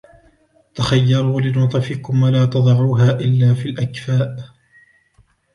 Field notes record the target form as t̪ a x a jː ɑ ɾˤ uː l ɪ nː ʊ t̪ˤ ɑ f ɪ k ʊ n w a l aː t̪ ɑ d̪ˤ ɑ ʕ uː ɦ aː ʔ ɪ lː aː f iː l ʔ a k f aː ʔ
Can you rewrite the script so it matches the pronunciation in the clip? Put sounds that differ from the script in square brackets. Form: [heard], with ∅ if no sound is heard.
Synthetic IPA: t̪ a x a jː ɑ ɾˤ uː l ɪ [n] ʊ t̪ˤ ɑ f ɪ k ʊ [m] w a l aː t̪ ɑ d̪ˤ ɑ ʕ uː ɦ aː ʔ ɪ lː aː f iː l ʔ a k f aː ʔ